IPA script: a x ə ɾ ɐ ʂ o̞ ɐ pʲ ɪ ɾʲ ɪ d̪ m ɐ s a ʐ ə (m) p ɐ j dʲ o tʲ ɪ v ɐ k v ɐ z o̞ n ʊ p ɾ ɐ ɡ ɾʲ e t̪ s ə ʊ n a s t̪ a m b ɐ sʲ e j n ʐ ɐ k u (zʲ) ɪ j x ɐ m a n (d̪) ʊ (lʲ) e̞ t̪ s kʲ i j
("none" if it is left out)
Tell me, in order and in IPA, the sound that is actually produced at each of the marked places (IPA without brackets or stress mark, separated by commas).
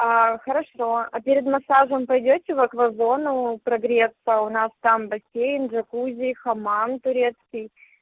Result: m, zʲ, t̪, ɾʲ